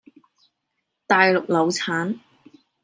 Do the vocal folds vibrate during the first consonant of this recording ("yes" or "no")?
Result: no